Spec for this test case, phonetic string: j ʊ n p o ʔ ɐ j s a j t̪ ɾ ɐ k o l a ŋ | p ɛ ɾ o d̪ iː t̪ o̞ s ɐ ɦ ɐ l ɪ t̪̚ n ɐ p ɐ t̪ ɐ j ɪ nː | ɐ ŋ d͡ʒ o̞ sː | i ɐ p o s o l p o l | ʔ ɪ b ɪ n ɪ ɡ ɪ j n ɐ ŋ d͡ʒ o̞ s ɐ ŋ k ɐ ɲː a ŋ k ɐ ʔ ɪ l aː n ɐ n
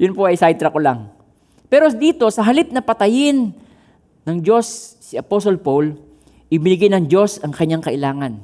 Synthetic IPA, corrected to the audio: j ʊ n p o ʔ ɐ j s a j t̪ ɾ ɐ k o l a ŋ | p ɛ ɾ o d̪ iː t̪ o̞ s ɐ ɦ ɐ l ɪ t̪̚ n ɐ p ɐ t̪ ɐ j ɪ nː | ɐ ŋ d͡ʒ o̞ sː | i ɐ p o s o l p o l | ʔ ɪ b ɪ n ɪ ɡ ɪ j n ɐ ŋ d͡ʒ o̞ s ɐ ŋ k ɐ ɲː a ŋ k ɐ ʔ ɪ l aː ŋ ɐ n